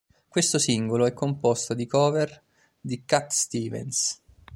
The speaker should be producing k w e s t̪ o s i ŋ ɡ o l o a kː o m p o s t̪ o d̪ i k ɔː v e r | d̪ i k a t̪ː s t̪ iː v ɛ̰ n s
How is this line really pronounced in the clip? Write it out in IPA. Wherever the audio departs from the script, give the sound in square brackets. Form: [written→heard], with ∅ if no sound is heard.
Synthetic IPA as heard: k w e s t̪ o s i ŋ ɡ o l o [a→ɛ] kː o m p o s t̪ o d̪ i k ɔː v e r | d̪ i k a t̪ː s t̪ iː v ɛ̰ n s